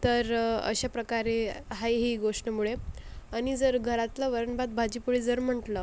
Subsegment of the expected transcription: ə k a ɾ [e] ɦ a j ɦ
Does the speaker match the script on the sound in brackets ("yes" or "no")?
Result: yes